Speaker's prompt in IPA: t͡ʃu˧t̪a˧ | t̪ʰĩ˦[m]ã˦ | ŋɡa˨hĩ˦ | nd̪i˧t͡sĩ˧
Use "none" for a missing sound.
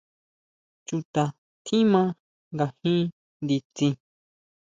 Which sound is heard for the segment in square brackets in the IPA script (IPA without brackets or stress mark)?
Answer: m